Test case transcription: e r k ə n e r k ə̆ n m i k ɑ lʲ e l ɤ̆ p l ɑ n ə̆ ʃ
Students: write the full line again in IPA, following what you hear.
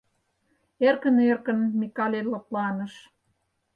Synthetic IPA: e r k ə n e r k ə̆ n m i k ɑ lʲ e l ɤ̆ p l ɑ n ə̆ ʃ